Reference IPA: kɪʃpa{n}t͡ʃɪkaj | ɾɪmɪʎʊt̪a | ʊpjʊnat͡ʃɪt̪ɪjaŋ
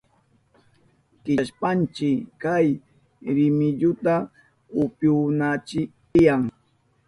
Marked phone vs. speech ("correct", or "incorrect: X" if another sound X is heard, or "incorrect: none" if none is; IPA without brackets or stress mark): correct